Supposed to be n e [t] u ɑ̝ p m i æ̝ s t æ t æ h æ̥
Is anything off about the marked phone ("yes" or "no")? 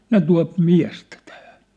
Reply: no